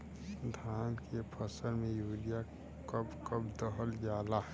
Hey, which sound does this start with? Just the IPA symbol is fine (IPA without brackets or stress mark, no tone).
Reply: d̪ʱ